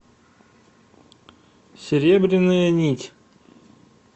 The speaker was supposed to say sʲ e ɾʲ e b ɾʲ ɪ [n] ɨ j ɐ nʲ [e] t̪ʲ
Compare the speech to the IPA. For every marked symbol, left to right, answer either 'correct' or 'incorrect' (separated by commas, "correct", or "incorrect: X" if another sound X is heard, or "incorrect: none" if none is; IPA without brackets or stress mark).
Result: correct, incorrect: i